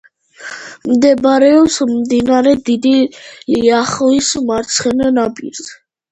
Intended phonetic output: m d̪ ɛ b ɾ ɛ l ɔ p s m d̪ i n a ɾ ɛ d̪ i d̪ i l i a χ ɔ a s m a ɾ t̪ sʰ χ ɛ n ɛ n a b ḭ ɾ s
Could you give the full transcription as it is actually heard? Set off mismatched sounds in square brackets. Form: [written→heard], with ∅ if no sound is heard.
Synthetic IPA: m d̪ ɛ b ɾ ɛ [l→∅] ɔ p s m d̪ i n a ɾ ɛ d̪ i d̪ i l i a χ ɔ [a→i] s m a ɾ t̪ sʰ χ ɛ n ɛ n a b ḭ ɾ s